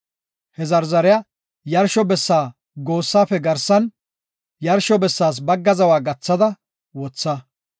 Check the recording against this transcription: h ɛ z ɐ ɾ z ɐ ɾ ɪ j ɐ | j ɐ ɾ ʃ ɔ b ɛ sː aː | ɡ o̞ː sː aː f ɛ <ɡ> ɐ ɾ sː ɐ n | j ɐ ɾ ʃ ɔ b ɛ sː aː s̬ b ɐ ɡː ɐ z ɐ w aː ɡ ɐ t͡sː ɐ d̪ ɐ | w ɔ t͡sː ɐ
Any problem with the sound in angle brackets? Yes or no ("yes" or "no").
no